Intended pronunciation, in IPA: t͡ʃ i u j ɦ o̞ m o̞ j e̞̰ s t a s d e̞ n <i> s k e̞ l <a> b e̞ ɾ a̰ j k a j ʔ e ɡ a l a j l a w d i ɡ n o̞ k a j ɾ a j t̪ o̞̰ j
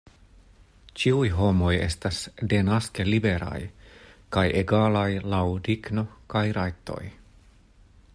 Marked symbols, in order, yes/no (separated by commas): no, no